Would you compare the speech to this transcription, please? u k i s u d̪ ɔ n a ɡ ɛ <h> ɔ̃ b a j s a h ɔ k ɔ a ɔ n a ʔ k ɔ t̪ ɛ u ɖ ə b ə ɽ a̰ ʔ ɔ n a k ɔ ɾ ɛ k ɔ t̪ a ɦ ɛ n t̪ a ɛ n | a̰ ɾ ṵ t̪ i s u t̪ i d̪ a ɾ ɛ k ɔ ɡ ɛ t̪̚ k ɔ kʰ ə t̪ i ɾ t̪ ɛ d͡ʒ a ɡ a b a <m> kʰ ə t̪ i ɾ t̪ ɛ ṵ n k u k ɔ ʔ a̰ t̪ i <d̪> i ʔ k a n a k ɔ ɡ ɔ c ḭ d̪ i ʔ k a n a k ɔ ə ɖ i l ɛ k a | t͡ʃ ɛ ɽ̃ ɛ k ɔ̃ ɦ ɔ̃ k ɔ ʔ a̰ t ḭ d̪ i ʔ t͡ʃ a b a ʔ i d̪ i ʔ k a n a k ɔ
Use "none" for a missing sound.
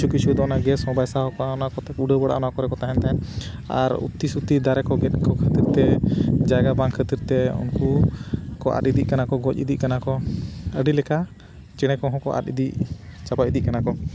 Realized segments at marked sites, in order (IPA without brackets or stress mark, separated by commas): s, ŋ, d̪